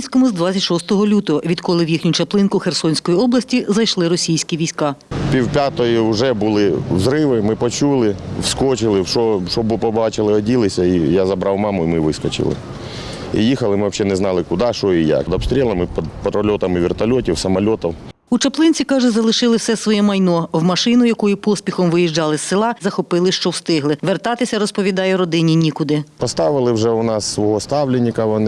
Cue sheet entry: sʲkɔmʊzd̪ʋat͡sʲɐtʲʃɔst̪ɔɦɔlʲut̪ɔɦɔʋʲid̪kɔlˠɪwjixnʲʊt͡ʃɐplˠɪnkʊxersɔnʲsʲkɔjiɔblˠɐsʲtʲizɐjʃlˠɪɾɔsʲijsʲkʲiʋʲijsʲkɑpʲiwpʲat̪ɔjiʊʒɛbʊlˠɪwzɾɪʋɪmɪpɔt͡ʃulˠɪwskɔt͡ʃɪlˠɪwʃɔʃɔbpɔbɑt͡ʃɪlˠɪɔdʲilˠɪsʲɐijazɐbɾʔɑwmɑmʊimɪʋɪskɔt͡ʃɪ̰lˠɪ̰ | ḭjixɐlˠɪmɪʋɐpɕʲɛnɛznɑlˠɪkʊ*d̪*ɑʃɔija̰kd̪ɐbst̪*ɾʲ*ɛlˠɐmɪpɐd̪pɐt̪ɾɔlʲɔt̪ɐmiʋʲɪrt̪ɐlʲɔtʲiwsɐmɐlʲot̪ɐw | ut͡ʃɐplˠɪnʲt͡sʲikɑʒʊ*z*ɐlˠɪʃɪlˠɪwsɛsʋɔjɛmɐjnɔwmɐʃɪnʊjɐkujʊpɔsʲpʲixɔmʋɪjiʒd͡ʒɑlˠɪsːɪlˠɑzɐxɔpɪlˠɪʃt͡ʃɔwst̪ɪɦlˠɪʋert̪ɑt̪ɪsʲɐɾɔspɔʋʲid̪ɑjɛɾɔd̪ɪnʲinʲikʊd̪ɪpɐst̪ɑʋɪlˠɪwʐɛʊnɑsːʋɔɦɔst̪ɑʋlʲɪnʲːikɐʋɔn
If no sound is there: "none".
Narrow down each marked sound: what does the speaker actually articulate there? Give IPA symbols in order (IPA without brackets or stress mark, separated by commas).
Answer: d̪, ɾʲ, z